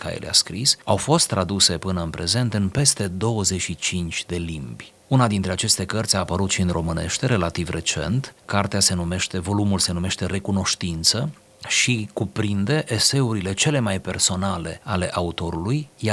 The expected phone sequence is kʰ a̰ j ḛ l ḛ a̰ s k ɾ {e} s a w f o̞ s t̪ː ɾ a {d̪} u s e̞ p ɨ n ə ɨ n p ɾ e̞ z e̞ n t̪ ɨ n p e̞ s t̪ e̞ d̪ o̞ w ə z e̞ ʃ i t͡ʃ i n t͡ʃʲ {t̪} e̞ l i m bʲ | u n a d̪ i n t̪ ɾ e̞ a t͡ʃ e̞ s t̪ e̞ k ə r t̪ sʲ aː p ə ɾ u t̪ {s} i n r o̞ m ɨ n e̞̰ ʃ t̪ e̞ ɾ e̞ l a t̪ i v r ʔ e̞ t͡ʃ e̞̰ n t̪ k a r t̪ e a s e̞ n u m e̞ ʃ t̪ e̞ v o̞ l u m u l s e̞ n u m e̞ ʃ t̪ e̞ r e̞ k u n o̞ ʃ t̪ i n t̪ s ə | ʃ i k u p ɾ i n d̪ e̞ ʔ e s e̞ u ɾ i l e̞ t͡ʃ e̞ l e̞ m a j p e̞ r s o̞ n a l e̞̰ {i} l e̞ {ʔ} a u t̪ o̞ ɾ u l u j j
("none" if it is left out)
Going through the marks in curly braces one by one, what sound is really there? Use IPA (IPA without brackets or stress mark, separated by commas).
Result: i, d̪, d̪, ʃ, a, ʔ